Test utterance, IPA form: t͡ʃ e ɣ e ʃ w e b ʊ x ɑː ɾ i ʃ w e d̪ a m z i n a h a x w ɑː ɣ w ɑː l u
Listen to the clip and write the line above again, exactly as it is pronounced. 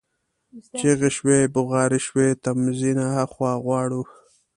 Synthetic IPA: t͡ʃ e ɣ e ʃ w e b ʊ ɣ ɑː ɾ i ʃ w e t̪ a m z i n a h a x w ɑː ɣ w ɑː ɽ u